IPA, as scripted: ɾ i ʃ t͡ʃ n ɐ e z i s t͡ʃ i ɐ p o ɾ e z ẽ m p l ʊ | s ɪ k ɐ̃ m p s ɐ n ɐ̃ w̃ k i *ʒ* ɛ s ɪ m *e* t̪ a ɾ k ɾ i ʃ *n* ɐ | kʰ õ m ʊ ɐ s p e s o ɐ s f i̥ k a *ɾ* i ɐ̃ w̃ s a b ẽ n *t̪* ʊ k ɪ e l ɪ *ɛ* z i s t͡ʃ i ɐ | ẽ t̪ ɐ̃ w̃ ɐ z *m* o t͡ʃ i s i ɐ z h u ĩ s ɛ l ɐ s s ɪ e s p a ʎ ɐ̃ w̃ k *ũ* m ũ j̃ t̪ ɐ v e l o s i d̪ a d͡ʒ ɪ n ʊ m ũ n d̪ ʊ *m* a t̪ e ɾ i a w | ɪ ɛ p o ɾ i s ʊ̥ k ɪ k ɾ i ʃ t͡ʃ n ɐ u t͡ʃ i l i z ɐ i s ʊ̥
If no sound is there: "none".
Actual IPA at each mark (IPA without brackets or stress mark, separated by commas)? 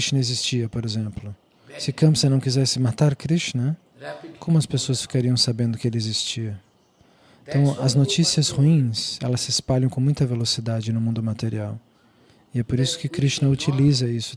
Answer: z, a, n, ɾ, d̪, e, n, õ, m